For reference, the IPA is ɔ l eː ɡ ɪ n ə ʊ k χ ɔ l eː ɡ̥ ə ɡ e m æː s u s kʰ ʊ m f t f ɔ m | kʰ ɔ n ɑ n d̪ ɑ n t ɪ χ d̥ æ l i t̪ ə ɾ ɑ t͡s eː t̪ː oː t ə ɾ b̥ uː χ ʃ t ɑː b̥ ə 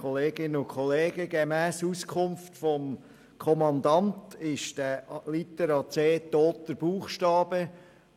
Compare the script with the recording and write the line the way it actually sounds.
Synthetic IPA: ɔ l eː ɡ ɪ n ə ʊ k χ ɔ l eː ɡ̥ ə ɡ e m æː s u s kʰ ʊ m f t f ɔ m | kʰ ɔ m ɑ n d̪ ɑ n t ɪ ʃ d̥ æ l i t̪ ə ɾ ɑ t͡s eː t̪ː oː t ə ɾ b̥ uː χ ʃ t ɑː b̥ ə